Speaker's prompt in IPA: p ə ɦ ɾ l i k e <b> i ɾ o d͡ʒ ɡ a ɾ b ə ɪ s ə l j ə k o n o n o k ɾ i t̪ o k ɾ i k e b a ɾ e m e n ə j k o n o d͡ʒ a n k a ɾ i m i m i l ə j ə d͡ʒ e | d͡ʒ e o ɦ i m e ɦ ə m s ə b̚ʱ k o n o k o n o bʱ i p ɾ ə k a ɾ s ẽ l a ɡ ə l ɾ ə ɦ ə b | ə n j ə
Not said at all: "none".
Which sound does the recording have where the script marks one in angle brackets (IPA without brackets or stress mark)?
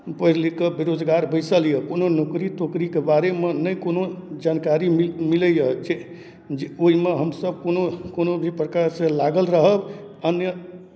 b